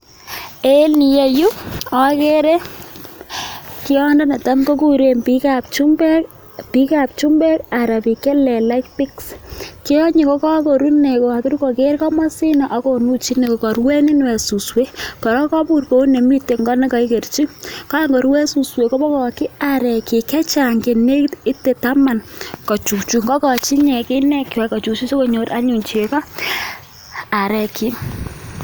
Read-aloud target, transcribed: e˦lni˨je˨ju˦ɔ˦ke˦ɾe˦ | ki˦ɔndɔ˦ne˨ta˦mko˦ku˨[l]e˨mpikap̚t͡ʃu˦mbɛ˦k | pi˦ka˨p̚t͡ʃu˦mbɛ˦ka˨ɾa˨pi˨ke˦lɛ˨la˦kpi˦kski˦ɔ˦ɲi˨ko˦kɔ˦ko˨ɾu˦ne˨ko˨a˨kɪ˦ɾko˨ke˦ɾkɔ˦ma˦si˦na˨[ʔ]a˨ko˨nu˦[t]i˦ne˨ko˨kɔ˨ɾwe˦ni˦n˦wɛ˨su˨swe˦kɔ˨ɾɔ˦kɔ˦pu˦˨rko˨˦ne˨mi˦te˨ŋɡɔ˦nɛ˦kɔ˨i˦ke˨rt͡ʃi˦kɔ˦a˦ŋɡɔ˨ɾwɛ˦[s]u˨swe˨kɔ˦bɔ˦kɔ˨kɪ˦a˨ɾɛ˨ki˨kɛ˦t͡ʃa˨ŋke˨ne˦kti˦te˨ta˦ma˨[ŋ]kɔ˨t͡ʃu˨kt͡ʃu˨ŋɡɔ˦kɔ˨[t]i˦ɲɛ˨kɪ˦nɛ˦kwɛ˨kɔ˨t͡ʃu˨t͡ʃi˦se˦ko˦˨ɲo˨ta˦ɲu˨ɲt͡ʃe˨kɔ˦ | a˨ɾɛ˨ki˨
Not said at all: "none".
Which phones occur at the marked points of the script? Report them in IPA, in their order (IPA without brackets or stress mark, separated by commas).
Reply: ɾ, ʔ, t͡ʃ, s, n, t͡ʃ